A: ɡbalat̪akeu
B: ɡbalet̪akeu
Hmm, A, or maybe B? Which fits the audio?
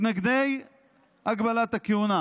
A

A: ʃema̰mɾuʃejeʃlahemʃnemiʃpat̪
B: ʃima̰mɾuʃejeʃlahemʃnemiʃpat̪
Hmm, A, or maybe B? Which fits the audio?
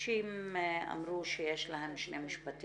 B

